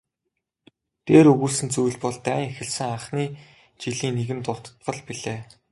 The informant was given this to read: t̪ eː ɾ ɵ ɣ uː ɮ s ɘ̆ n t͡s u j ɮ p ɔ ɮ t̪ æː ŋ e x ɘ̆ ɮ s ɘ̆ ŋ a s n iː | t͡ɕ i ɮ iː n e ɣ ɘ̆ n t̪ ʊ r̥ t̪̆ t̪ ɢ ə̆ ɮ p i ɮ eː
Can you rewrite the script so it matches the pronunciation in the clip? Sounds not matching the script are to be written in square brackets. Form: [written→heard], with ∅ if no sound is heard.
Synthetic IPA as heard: t̪ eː ɾ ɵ ɣ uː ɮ s ɘ̆ n t͡s u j ɮ p ɔ ɮ t̪ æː ŋ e x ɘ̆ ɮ s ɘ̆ ŋ a [s→χ] n iː | t͡ɕ i ɮ iː n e ɣ ɘ̆ n t̪ ʊ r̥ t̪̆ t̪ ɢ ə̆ ɮ p i ɮ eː